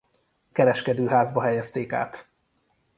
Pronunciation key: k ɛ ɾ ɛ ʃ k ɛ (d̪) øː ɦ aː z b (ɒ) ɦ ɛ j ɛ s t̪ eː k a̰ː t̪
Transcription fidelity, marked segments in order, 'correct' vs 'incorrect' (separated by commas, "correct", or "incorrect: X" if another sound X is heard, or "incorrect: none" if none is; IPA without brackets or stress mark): correct, correct